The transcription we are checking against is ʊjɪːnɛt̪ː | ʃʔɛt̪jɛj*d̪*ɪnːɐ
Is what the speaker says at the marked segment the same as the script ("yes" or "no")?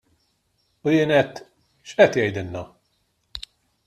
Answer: yes